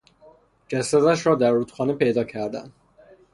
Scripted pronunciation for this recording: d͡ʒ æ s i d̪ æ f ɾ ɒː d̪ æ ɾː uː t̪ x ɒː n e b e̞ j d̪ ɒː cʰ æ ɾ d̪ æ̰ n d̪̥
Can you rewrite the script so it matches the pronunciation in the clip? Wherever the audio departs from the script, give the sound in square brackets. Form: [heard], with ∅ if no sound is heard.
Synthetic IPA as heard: d͡ʒ æ s [æ] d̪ æ [ʃ] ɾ ɒː d̪ æ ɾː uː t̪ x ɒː n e [p] e̞ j d̪ ɒː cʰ æ ɾ d̪ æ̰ n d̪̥